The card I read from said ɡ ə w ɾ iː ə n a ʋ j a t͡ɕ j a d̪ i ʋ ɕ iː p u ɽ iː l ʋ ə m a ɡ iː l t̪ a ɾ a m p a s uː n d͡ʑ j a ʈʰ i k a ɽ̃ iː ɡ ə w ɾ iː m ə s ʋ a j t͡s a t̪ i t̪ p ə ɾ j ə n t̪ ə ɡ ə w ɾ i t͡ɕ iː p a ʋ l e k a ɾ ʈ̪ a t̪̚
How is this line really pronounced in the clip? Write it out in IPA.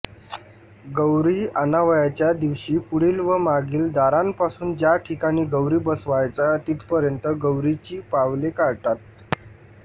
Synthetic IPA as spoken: ɡ ə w ɾ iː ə n a ʋ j a t͡ɕ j a d̪ i ʋ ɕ iː p u ɽ iː l ʋ ə m a ɡ iː l d̪ a ɾ a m p a s uː n d͡ʑ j a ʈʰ i k a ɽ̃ iː ɡ ə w ɾ iː b ə s ʋ a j t͡s a t̪ i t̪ p ə ɾ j ə n t̪ ə ɡ ə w ɾ i t͡ɕ iː p a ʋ l e k a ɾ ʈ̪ a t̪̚